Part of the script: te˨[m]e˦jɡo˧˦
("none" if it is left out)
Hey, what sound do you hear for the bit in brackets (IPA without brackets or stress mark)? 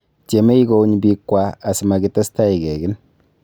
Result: m